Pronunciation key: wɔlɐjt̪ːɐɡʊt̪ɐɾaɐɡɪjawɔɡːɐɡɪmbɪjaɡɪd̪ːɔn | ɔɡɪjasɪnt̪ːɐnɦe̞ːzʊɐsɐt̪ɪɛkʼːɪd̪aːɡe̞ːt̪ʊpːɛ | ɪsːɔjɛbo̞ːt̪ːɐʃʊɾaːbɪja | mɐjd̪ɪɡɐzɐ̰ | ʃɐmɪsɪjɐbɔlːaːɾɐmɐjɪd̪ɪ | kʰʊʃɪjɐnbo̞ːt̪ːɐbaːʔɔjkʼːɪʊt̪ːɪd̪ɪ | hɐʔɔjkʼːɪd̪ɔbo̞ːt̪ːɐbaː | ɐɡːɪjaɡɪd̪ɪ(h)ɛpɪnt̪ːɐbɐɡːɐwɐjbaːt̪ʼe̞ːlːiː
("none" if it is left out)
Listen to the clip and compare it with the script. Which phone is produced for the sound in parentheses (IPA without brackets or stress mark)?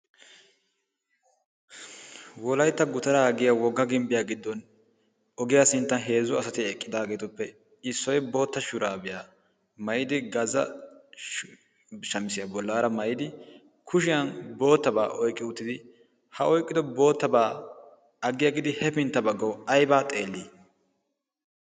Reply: h